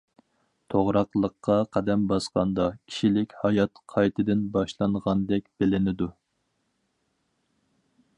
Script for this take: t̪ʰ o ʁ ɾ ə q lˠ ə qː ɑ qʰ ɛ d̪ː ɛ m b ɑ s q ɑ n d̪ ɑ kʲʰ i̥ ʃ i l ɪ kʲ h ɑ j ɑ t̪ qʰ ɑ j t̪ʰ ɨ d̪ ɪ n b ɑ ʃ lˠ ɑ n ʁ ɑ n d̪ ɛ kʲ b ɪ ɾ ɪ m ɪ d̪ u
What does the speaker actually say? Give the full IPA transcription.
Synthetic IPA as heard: t̪ʰ o ʁ ɾ ɑ q lˠ ə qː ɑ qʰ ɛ d̪ ɛ m b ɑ s q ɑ n d̪ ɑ kʲʰ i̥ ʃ i l ɪ kʲ h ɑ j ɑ t̪ qʰ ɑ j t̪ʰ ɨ d̪ ɪ n b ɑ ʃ lˠ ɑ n ʁ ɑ n d̪ ɛ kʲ b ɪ l ɪ n ɪ d̪ u